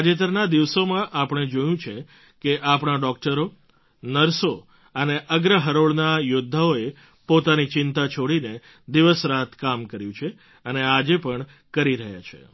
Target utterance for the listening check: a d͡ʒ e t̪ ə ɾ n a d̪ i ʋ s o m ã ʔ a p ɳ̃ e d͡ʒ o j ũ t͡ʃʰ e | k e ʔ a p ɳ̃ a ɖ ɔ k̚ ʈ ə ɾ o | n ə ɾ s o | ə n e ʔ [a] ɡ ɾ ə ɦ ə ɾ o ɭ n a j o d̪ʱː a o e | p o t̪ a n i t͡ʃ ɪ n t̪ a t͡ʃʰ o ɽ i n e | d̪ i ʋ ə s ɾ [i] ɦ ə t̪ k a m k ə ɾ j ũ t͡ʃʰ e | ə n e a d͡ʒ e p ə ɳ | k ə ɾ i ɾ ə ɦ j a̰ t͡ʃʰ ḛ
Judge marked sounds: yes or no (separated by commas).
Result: no, no